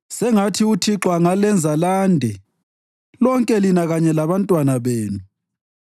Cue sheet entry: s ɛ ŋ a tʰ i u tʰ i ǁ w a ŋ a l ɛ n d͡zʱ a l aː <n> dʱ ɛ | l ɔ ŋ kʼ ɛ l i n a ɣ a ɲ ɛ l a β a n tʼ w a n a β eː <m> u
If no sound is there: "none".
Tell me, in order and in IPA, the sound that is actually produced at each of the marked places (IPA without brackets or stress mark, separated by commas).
n, n